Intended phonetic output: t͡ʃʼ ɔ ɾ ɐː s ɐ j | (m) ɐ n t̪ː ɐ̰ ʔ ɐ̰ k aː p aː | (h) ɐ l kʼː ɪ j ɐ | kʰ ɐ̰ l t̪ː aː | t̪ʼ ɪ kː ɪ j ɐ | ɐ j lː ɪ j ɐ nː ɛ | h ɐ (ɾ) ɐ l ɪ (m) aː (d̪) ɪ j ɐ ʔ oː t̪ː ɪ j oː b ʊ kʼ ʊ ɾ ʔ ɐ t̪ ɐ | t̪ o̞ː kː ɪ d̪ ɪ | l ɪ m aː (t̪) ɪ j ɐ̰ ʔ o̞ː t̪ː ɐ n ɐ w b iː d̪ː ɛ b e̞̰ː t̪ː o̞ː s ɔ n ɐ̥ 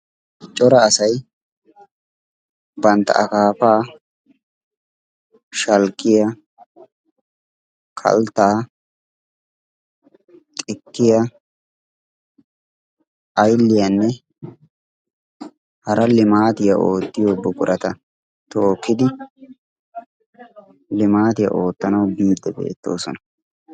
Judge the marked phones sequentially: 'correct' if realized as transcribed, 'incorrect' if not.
incorrect: b, incorrect: ʃ, correct, correct, incorrect: t̪, correct

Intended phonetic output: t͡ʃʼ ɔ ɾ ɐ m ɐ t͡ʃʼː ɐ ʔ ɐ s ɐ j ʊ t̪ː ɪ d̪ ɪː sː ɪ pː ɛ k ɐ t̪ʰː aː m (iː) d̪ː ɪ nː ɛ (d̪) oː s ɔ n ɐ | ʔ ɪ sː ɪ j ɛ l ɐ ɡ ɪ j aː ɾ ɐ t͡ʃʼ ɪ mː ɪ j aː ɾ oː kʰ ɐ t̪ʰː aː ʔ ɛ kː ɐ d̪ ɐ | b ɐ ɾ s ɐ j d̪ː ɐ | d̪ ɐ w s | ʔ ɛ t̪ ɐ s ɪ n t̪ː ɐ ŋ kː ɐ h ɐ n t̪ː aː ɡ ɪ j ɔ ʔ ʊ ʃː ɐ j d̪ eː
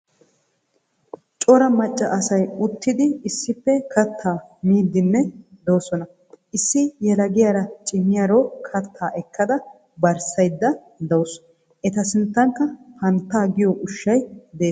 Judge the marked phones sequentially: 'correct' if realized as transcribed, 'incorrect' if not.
correct, correct

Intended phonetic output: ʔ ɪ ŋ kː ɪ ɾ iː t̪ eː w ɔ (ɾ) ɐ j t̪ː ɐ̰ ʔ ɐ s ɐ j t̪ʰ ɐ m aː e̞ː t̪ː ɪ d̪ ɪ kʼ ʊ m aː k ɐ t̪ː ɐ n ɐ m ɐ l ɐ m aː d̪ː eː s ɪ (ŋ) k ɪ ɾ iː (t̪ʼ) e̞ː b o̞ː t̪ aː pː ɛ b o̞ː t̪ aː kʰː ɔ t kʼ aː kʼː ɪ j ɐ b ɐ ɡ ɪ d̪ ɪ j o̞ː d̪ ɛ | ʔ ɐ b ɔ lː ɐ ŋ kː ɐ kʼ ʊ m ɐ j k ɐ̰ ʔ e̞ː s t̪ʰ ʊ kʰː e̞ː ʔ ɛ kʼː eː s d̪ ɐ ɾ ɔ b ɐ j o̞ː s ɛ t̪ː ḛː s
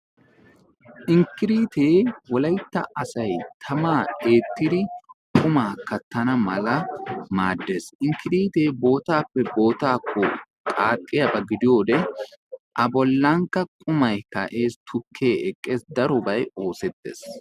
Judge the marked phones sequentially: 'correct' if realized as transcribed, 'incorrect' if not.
incorrect: l, correct, incorrect: t̪

